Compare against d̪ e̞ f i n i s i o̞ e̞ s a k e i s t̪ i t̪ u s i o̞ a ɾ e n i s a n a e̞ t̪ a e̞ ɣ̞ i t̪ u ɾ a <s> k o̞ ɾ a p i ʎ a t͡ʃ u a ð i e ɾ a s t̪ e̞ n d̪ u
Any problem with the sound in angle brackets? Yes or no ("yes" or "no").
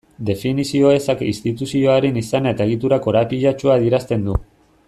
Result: yes